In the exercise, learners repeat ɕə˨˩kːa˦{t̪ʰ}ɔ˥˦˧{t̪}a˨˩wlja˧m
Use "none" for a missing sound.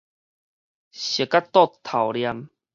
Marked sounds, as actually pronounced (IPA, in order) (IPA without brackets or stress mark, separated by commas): t̪, t̪ʰ